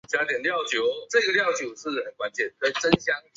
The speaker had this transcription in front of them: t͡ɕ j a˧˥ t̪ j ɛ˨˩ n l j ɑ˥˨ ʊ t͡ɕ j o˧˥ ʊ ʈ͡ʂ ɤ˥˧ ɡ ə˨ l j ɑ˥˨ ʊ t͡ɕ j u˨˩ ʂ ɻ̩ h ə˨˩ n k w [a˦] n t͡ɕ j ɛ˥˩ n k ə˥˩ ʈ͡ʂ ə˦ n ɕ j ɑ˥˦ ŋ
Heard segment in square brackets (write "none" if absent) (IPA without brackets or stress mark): a˦